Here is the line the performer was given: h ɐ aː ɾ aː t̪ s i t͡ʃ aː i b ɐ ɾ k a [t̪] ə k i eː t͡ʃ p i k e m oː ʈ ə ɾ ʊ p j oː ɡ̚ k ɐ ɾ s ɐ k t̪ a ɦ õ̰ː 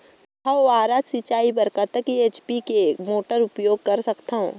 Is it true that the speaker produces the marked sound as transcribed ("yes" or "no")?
yes